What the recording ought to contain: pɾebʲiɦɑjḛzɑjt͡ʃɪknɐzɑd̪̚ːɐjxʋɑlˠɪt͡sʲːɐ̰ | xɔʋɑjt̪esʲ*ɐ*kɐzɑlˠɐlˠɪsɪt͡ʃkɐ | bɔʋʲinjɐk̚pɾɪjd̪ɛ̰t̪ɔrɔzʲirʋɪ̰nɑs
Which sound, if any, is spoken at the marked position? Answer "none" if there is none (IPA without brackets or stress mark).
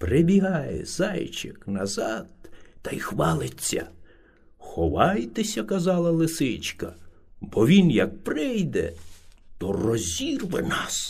ɐ